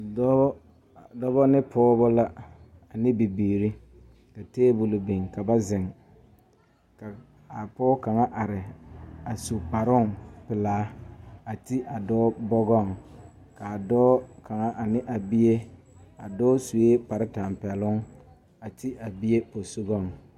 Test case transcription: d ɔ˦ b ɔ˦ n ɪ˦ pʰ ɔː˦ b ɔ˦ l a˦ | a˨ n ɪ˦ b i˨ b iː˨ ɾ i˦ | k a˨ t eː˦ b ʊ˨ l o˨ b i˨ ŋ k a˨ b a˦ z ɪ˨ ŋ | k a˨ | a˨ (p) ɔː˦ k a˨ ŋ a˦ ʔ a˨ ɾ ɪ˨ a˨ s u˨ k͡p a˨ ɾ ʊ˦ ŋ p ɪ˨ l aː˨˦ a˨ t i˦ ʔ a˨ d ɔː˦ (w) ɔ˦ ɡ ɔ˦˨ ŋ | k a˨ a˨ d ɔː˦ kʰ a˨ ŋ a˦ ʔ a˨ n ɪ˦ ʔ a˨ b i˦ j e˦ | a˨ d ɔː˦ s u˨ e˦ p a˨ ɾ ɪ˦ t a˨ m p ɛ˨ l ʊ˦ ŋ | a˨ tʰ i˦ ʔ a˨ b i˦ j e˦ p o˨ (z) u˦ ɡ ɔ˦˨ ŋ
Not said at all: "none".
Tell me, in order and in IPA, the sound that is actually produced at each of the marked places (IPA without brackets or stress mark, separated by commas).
p, b, s